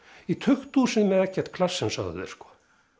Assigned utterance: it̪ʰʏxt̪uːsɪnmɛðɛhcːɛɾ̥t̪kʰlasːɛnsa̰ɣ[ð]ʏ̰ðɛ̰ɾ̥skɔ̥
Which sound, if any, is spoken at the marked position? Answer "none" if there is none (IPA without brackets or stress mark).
ð